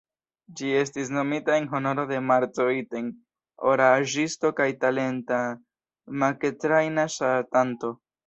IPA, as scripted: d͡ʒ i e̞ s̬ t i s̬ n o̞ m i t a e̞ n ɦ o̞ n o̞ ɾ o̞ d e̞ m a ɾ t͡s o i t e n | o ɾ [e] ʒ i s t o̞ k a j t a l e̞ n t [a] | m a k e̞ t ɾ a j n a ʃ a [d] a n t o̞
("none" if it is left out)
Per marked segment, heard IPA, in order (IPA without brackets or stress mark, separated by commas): a, a, t